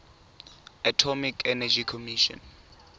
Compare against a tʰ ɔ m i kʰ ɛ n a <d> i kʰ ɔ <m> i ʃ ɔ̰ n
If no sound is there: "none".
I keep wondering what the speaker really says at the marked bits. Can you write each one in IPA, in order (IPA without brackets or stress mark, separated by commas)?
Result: d͡ʒ, m